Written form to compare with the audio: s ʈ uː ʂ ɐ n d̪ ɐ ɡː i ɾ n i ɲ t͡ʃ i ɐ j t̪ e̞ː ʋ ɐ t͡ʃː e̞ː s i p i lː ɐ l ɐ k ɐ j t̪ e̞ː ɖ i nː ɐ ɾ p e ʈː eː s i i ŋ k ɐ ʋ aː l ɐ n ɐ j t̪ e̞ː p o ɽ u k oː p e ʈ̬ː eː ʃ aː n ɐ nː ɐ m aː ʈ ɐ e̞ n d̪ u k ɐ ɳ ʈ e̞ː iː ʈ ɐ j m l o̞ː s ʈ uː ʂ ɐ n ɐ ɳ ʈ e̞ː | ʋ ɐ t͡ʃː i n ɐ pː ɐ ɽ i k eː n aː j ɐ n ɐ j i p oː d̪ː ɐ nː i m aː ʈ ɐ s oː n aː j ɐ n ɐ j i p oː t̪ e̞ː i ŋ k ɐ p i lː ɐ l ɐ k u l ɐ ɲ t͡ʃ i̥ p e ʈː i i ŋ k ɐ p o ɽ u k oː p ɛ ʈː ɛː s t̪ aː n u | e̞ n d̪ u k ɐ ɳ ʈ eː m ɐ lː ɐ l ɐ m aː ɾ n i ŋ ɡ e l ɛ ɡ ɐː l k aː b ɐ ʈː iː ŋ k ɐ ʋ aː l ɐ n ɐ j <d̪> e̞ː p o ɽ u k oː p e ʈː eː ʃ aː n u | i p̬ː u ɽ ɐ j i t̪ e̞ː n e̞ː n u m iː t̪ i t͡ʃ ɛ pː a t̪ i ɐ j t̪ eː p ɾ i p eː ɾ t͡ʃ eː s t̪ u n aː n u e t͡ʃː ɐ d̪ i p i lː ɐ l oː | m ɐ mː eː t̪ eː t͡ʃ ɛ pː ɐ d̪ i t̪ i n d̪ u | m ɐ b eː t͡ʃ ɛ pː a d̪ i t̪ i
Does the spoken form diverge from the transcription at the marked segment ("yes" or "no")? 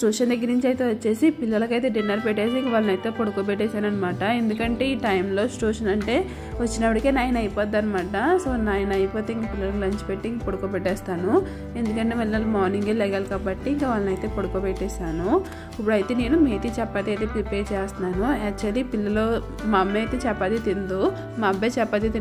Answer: yes